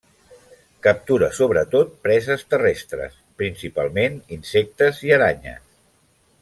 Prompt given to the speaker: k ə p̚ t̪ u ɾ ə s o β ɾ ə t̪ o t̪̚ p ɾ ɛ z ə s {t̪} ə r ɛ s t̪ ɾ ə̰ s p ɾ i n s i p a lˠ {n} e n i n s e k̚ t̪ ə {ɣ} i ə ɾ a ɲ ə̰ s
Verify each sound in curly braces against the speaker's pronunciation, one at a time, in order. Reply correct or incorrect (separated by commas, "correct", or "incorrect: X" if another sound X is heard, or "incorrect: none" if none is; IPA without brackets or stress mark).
correct, incorrect: m, incorrect: z